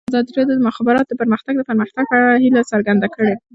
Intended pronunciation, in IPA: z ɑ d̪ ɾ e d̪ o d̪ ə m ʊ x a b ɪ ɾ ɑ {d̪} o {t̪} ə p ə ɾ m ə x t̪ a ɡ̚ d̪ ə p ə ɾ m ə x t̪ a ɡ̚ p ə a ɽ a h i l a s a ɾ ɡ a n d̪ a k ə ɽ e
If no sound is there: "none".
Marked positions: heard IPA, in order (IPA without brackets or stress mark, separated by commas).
t̪, d̪